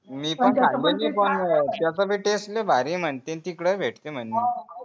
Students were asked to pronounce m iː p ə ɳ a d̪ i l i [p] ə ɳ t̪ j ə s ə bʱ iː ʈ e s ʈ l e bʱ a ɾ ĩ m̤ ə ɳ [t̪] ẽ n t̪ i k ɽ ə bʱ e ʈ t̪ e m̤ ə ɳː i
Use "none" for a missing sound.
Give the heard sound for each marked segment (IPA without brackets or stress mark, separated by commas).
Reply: p, t̪